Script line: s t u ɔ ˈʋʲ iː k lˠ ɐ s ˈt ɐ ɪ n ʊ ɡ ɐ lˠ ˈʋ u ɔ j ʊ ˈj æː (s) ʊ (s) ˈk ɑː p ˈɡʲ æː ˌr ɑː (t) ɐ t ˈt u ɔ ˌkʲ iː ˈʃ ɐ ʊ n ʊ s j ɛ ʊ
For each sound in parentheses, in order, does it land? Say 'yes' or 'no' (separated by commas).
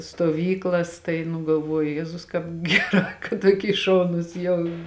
no, yes, no